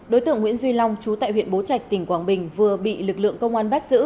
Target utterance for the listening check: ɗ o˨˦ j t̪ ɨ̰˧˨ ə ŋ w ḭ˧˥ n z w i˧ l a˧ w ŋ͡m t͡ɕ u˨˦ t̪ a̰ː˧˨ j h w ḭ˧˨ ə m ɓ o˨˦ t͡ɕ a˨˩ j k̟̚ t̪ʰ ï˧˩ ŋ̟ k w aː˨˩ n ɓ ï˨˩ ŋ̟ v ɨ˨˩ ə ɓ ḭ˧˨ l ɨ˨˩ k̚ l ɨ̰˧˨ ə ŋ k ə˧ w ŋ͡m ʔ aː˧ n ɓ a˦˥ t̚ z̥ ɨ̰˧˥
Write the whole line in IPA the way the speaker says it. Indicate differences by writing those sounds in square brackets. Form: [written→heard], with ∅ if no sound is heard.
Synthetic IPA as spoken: ɗ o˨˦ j t̪ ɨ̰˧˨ ə ŋ w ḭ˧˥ n z w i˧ l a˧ w ŋ͡m t͡ɕ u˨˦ t̪ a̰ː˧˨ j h w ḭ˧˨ ə [m→n] ɓ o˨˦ t͡ɕ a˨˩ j k̟̚ [t̪ʰ→t̪] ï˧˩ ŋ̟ k w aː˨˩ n ɓ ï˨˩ ŋ̟ v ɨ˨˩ ə ɓ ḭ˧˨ l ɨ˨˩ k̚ l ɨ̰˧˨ ə ŋ k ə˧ w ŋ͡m ʔ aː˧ n ɓ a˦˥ t̚ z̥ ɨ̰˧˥